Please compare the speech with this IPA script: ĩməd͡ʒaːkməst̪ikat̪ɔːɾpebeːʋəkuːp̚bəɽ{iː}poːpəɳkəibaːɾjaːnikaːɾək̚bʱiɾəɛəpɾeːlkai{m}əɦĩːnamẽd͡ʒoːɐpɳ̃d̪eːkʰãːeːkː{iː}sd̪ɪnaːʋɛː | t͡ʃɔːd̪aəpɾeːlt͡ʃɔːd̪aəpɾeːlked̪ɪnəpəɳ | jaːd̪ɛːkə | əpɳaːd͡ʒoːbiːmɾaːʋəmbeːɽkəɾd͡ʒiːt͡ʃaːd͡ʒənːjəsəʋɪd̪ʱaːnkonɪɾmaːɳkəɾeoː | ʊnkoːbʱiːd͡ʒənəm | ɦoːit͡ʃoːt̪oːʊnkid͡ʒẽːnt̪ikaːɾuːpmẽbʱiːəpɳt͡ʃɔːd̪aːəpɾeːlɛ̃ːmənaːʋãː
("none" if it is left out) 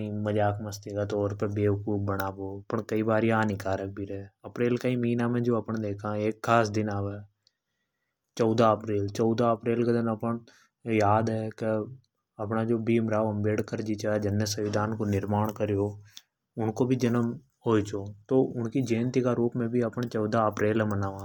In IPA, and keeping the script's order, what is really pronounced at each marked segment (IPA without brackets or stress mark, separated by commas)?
aː, m, aː